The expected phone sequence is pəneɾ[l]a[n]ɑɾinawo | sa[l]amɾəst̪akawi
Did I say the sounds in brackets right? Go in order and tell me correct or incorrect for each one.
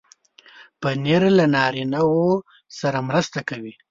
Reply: correct, correct, incorrect

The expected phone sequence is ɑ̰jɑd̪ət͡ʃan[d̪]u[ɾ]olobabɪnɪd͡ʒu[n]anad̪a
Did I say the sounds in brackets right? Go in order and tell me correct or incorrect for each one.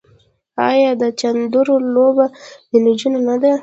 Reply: correct, correct, correct

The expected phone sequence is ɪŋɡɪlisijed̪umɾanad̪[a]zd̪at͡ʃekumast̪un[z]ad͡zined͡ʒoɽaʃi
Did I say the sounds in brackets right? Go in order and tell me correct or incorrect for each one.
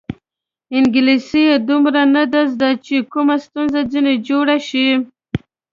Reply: correct, correct

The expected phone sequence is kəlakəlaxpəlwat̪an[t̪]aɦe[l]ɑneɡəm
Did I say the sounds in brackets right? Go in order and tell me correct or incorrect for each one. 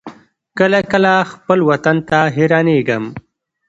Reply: correct, incorrect

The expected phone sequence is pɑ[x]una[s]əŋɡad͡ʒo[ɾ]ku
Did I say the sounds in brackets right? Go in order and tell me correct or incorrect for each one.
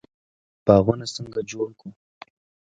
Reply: incorrect, correct, incorrect

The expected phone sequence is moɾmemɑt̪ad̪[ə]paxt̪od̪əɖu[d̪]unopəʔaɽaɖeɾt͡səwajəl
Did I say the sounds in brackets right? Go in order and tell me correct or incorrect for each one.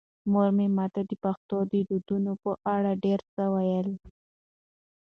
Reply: correct, correct

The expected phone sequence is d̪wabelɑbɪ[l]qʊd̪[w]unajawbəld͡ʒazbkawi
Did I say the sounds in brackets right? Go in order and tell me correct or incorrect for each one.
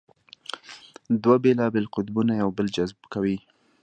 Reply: correct, incorrect

